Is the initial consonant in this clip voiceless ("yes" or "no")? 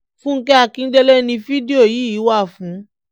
yes